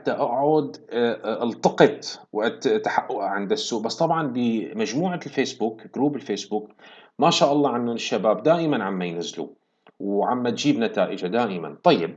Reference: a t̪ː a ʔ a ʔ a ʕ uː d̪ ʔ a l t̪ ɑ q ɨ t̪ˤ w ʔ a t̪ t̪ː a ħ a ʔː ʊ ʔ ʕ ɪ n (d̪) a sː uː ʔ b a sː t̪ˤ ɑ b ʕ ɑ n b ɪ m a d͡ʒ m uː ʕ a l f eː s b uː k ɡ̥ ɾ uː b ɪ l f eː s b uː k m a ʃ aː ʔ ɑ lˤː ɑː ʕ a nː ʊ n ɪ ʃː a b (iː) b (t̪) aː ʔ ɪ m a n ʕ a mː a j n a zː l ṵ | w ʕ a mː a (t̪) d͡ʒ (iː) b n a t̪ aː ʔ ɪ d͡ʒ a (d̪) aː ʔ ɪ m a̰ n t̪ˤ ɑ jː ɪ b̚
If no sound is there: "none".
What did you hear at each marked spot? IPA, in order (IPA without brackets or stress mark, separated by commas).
d̪, aː, d̪, t̪, iː, d̪